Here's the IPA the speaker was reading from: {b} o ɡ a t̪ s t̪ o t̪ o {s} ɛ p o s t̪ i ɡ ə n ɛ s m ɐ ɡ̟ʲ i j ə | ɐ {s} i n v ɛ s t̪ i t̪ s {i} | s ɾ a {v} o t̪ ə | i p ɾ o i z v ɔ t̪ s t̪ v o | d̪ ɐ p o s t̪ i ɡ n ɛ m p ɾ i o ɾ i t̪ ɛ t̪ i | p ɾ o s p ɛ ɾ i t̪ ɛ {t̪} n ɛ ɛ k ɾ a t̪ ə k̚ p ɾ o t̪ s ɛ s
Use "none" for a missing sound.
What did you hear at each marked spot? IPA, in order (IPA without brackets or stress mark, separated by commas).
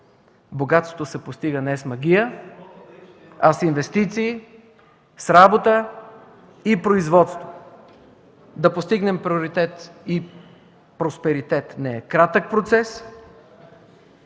b, s, s, iː, b, t̪